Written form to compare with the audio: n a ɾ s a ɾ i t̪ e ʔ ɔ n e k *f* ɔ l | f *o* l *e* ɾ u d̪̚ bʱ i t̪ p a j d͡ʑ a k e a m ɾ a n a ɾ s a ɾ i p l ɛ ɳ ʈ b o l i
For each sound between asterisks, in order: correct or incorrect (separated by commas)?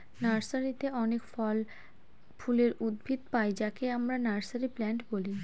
correct, incorrect, correct